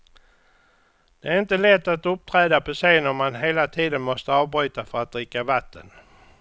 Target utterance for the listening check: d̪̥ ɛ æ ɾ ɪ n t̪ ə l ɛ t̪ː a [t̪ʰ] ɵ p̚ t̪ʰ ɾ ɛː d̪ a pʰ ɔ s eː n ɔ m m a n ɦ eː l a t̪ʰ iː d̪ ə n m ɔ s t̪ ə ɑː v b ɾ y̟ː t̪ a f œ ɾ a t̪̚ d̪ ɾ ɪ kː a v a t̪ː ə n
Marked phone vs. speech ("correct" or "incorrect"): incorrect